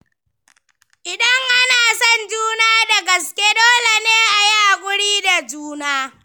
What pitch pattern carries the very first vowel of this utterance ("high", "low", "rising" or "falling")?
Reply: low